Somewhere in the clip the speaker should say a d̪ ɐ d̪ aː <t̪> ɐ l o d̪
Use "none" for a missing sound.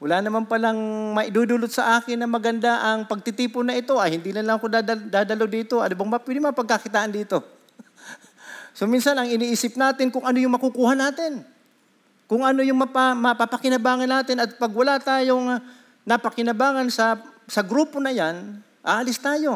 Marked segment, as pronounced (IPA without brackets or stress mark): d̪